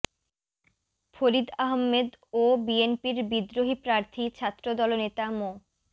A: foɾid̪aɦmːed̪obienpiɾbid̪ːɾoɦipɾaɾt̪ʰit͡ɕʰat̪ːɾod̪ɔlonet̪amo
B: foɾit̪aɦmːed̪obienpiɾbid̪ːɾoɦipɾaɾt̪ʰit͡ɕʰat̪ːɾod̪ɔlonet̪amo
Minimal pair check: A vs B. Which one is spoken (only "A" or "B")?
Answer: A